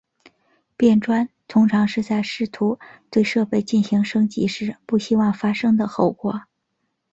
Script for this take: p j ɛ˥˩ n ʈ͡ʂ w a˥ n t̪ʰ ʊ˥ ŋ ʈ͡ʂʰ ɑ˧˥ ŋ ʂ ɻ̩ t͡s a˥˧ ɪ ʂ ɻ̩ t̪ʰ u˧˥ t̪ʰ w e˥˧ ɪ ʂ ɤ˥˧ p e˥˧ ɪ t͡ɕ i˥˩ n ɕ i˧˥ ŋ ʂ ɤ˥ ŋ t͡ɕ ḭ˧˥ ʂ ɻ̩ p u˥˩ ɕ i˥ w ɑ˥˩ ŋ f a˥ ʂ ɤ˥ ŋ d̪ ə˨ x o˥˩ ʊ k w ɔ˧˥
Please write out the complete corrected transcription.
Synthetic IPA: p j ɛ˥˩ n ʈ͡ʂ w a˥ n t̪ʰ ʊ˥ ŋ ʈ͡ʂʰ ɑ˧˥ ŋ ʂ ɻ̩ t͡s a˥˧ ɪ ʂ ɻ̩ t̪ʰ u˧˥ t̪ w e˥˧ ɪ ʂ ɤ˥˧ p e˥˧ ɪ t͡ɕ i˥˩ n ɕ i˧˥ ŋ ʂ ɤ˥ ŋ t͡ɕ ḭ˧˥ ʂ ɻ̩ p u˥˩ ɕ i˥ w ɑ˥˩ ŋ f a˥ ʂ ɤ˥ ŋ d̪ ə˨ x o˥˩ ʊ k w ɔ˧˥